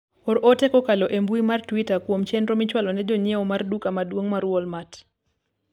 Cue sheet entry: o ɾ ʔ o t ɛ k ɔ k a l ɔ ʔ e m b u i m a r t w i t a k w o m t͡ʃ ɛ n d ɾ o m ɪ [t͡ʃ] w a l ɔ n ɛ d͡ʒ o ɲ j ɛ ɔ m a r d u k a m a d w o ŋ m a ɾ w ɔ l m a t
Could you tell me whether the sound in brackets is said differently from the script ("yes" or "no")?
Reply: no